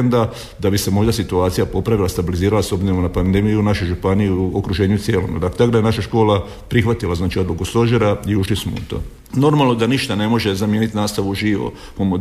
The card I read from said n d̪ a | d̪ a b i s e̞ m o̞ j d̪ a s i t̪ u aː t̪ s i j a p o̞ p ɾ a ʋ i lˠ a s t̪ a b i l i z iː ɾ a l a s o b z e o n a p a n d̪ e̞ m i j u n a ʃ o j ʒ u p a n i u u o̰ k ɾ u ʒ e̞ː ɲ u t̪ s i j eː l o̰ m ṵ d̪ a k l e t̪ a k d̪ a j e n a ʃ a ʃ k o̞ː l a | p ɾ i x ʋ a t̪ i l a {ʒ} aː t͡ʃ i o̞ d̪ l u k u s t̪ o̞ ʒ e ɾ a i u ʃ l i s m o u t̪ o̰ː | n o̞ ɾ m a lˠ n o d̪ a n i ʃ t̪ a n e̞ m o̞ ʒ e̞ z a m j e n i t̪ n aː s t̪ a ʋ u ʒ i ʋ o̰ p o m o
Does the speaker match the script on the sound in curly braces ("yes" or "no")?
no